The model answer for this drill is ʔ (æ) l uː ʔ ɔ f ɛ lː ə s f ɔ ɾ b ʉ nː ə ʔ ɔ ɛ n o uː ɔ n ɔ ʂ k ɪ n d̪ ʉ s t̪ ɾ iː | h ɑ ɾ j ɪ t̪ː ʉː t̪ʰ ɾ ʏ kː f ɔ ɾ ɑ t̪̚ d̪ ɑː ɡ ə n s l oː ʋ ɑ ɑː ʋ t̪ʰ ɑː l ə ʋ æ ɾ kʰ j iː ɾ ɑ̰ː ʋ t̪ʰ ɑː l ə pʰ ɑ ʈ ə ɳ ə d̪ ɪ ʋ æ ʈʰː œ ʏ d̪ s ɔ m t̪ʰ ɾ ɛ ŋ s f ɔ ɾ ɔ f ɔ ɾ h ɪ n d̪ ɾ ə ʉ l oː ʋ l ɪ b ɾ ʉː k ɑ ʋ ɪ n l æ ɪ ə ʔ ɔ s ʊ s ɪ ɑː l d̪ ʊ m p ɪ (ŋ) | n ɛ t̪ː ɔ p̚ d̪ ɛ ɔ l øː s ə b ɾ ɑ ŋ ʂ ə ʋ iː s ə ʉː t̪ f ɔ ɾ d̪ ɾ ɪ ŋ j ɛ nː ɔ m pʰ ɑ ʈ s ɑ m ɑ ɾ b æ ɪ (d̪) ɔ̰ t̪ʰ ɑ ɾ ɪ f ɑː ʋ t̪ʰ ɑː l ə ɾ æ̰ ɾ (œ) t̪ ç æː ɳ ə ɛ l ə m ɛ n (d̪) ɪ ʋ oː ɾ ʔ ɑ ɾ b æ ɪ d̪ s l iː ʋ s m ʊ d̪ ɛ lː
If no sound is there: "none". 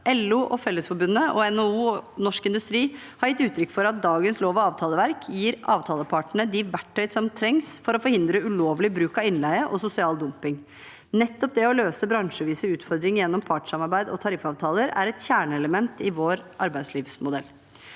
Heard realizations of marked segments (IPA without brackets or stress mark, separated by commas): ɛ, ŋ, d̪, ɛ, t̪